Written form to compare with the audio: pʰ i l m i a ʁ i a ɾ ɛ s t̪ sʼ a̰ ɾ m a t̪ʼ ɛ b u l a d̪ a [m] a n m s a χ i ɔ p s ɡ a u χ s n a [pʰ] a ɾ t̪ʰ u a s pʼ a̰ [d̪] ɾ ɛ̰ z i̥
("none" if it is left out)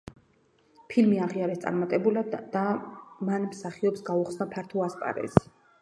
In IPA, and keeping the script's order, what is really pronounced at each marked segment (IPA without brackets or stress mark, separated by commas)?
m, pʰ, none